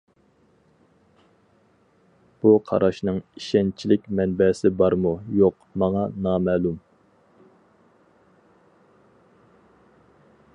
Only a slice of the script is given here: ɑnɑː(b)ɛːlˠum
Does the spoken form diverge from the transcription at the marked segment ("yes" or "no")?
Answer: yes